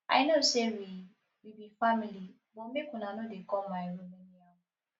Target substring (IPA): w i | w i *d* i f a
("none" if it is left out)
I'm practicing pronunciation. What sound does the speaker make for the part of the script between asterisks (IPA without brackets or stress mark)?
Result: b